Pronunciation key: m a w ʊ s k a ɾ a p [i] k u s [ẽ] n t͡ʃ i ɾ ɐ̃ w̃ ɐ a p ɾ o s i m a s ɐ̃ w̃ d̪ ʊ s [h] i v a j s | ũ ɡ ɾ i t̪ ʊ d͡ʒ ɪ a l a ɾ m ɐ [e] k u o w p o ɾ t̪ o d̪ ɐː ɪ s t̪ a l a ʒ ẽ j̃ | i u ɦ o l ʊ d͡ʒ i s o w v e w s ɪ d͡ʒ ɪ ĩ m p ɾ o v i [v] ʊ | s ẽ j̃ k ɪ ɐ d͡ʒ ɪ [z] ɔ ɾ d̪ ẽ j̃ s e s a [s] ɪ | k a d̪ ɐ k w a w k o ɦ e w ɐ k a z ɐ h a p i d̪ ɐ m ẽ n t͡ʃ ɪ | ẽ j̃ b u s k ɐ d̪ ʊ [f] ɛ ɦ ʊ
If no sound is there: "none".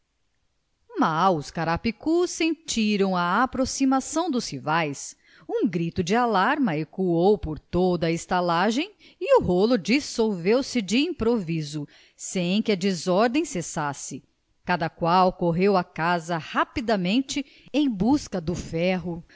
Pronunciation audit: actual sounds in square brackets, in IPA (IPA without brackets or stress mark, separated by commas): i, ẽ, h, e, z, z, s, f